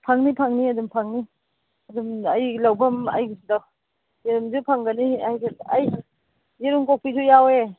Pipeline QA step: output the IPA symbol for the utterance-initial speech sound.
pʰ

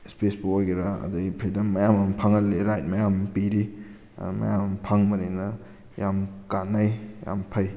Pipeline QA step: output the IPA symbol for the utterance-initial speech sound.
s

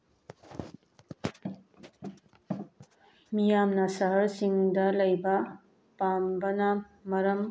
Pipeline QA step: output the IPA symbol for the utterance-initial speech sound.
m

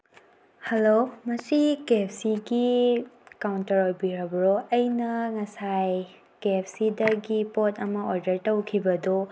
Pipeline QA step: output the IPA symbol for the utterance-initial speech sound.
h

